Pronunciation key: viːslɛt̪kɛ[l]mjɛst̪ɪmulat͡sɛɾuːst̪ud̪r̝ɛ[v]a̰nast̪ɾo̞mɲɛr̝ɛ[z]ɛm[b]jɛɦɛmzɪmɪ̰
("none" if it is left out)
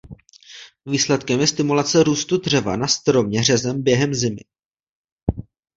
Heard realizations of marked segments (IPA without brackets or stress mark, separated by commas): none, v, z, b